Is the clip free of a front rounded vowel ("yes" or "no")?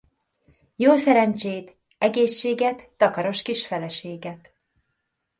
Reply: yes